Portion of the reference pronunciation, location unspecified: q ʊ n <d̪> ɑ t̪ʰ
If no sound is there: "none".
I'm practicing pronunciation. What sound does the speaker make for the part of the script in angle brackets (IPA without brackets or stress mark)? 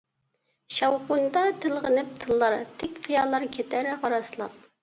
d̪